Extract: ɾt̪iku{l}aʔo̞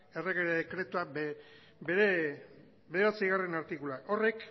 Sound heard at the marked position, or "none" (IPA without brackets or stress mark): l